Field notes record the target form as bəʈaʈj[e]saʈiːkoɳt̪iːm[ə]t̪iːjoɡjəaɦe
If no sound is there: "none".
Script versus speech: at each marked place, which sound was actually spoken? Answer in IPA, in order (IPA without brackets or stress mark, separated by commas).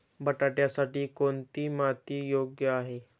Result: a, a